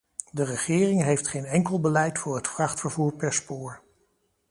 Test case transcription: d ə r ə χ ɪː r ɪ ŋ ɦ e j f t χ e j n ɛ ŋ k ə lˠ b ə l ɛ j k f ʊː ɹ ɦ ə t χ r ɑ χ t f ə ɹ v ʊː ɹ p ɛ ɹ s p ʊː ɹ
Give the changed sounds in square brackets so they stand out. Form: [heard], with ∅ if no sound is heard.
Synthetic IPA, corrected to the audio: d ə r ə χ ɪː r ɪ ŋ ɦ e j f t χ e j n ɛ ŋ k ə lˠ b ə l ɛ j [t] f ʊː ɹ ɦ ə t [f] r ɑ χ t f ə ɹ v [uː] ɹ p ɛ ɹ s p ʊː ɹ

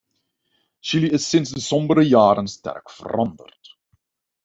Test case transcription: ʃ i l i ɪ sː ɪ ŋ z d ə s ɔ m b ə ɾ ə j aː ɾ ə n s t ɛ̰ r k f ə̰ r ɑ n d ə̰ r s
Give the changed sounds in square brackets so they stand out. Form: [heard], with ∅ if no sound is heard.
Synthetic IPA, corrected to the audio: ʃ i l i ɪ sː ɪ [n] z d ə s ɔ m b ə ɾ ə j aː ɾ ə n s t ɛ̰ r k f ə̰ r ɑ n d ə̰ r [t]

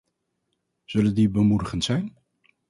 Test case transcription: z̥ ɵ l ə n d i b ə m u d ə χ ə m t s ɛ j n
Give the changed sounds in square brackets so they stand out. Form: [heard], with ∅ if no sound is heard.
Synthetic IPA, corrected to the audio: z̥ ɵ l ə n d i b ə m u d ə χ ə [n] t s ɛ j n

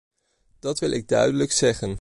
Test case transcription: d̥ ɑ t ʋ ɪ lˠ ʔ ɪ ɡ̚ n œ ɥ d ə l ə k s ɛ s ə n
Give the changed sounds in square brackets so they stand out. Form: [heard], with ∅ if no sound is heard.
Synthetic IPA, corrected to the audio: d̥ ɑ t ʋ ɪ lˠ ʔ ɪ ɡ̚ [d] œ ɥ d ə l ə k s ɛ [χ] ə n

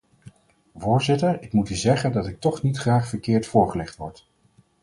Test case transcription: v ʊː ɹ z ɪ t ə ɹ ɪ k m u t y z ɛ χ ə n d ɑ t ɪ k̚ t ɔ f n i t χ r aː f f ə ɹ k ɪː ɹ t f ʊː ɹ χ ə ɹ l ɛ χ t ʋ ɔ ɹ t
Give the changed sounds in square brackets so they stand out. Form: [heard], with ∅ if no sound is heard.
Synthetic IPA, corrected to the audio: v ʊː ɹ z ɪ t ə ɹ ɪ k m u t y z ɛ χ ə n d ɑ t ɪ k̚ t ɔ [χ] n i t χ r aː [χ] f ə ɹ k ɪː ɹ t f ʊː ɹ χ ə [∅] l ɛ χ t ʋ ɔ ɹ t

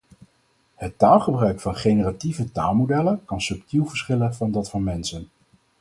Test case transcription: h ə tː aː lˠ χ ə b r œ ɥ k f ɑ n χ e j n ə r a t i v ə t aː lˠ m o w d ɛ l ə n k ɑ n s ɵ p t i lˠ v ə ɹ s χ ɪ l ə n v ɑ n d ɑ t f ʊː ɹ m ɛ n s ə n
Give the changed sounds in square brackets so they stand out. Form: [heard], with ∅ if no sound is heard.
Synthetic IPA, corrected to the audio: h ə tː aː lˠ χ ə b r œ ɥ k f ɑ n χ e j n ə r a t i v ə t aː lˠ m o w d ɛ l ə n k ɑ n s ɵ p t i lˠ v ə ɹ s χ ɪ l ə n v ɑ n d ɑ t f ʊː ɹ m ɛ n s ə n

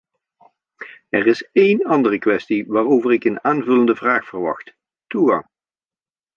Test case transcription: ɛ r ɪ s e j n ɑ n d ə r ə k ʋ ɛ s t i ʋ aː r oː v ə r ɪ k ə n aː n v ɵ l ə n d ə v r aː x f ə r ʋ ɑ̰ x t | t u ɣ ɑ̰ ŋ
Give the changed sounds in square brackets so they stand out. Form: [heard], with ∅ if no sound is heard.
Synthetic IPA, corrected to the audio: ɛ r ɪ s e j n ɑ n d ə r ə k ʋ ɛ s t i ʋ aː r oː v ə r ɪ k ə n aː n v ɵ l ə n d ə v r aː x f ə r ʋ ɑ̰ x t | t u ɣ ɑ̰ ŋ

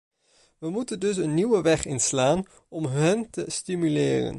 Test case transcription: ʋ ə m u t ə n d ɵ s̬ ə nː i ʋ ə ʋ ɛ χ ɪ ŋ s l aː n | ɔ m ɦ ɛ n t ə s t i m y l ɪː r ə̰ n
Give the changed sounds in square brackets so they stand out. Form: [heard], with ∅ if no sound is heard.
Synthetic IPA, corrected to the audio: ʋ ə m u t ə n d ɵ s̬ ə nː i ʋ ə ʋ ɛ χ ɪ [n] s l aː n | ɔ m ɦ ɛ n t ə s t i m y l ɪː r ə̰ n

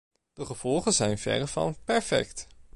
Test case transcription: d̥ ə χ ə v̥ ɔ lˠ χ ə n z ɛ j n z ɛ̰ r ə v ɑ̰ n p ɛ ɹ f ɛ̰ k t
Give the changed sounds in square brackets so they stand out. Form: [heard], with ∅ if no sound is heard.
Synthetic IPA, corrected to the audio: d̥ ə χ ə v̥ ɔ lˠ χ ə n z ɛ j n [v] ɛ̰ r ə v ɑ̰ n p ɛ ɹ f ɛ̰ k t

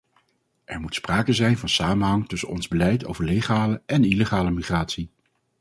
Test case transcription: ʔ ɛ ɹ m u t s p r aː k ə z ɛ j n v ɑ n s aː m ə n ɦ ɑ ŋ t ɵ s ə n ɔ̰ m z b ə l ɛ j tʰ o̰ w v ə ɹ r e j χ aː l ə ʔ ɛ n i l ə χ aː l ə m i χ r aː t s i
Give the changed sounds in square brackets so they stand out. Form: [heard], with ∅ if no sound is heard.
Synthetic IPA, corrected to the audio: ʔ ɛ ɹ m u t s p r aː k ə z ɛ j n v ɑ n s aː m ə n ɦ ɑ ŋ t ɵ s ə n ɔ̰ [n] z b ə l ɛ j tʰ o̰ w v ə ɹ [l] e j χ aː l ə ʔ ɛ n i l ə χ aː l ə m i χ r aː t s i

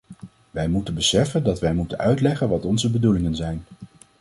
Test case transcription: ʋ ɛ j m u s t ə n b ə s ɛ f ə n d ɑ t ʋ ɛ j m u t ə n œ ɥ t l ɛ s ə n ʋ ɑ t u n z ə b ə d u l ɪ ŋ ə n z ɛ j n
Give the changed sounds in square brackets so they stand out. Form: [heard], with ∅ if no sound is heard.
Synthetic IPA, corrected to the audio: ʋ ɛ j m u [∅] t ə n b ə s ɛ f ə n d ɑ t ʋ ɛ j m u t ə n œ ɥ t l ɛ [χ] ə n ʋ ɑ t [ɔ] n z ə b ə d u l ɪ ŋ ə n z ɛ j n

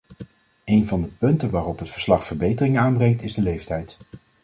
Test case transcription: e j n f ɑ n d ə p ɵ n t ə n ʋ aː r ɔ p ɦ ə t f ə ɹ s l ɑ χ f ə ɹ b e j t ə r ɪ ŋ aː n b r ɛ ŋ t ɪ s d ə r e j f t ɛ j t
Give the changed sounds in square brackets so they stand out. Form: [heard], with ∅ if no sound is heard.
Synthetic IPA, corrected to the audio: e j n [v] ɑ n d ə p ɵ n t ə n ʋ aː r ɔ p ɦ ə t f ə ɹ s l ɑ χ f ə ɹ b e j t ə r ɪ ŋ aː n b r ɛ ŋ t ɪ [z] d ə [l] e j f t ɛ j t

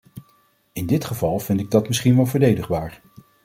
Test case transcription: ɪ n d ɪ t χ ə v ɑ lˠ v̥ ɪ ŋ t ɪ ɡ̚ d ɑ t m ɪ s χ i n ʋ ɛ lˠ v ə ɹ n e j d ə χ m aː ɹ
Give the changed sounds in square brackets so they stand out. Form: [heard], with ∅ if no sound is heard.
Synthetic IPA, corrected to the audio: ɪ n d ɪ t χ ə v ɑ lˠ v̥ ɪ [n] t ɪ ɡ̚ d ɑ t m ɪ s χ i n ʋ ɛ lˠ v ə ɹ [d] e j d ə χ [b] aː ɹ

